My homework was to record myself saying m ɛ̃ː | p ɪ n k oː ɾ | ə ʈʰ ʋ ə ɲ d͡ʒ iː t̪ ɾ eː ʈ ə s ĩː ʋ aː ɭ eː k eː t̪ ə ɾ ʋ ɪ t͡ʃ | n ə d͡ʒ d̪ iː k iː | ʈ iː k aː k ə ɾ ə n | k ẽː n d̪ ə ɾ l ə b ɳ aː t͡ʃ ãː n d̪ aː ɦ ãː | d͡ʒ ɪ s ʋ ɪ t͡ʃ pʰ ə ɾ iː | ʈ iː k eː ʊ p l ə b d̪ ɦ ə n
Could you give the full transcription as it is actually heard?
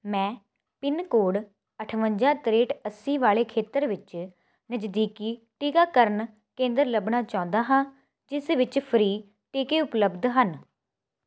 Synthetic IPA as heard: m ɛ̃ː | p ɪ n k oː ɽ | ə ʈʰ ʋ ə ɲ d͡ʒ aː t̪ ɾ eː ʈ ə s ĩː ʋ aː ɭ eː kʰ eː t̪ ə ɾ ʋ ɪ t͡ʃ | n ə d͡ʒ d̪ iː k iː | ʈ iː k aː k ə ɾ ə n | k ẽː n d̪ ə ɾ l ə b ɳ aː t͡ʃ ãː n d̪ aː ɦ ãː | d͡ʒ ɪ s ʋ ɪ t͡ʃ pʰ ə ɾ iː | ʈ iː k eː ʊ p l ə b d̪ ɦ ə n